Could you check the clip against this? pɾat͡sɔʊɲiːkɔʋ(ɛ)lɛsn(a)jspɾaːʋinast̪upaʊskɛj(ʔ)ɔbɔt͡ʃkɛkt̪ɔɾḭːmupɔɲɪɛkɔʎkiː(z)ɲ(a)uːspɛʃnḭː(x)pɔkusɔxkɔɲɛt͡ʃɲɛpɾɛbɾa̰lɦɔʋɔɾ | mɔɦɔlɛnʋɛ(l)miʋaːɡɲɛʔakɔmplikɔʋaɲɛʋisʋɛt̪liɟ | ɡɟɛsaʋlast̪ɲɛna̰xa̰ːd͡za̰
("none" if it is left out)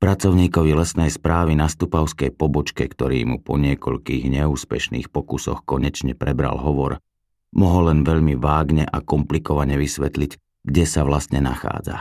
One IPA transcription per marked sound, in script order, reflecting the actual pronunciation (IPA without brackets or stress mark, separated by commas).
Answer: i, ɛ, p, ɣ, ɛ, x, ʎ